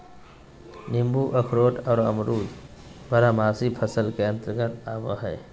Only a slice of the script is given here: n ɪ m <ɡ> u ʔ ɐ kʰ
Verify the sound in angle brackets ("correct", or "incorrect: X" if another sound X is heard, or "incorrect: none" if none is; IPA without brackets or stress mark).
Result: incorrect: b